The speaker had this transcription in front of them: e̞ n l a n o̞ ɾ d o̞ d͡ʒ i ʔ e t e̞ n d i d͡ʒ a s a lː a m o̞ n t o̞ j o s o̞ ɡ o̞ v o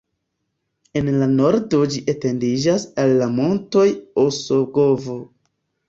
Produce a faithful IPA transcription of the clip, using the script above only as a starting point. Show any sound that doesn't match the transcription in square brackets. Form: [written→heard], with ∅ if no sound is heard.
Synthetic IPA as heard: e̞ n l a n o̞ ɾ d o̞ d͡ʒ i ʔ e t e̞ n d i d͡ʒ a s a lː a m o̞ n t o̞ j o s o̞ ɡ o̞ v o